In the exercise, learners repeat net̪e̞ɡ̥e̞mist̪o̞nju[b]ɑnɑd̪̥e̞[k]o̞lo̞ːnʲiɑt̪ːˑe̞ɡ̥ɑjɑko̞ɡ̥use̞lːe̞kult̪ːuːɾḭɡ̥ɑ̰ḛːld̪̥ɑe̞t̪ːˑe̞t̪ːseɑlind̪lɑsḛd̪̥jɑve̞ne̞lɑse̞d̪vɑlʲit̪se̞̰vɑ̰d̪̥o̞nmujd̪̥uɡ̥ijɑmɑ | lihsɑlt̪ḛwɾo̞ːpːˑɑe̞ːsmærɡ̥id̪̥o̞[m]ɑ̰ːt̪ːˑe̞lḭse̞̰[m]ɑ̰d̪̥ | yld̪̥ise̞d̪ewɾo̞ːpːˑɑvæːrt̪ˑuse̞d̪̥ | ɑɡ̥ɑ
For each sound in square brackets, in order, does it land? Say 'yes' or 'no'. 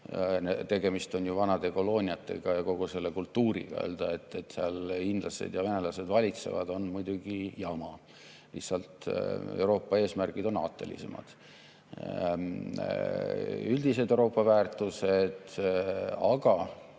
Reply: no, yes, no, yes

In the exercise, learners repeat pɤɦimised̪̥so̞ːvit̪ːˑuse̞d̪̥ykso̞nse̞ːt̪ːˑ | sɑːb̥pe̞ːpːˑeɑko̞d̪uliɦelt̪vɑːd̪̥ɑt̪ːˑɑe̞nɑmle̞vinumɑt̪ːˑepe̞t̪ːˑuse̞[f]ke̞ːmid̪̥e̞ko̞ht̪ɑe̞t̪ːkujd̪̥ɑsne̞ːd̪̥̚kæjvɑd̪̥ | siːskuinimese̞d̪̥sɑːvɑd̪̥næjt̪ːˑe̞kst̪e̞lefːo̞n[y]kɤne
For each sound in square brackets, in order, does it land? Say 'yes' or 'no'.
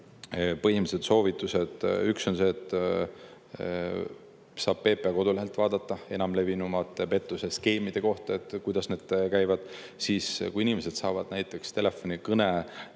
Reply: no, no

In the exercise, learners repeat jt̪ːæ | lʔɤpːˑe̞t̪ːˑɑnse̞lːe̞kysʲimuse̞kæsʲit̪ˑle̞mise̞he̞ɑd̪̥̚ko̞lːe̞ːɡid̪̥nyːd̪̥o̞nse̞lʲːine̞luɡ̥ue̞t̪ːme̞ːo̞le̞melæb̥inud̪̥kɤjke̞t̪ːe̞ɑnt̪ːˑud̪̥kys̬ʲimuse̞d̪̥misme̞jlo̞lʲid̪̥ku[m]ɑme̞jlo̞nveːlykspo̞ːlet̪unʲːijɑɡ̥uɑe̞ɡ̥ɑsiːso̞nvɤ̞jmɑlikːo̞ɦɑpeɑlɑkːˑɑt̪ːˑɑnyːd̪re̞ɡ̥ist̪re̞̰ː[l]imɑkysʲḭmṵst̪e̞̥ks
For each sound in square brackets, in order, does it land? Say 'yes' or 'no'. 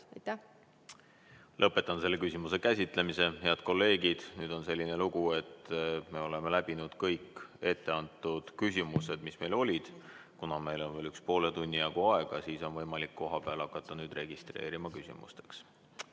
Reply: no, no

